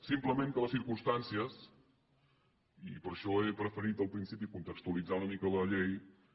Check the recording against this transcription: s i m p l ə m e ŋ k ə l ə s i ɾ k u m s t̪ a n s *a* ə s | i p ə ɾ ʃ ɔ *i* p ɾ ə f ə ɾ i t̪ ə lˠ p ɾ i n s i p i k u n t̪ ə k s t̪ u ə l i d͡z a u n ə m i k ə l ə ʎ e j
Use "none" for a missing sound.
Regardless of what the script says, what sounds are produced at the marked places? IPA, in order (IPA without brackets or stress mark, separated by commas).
i, e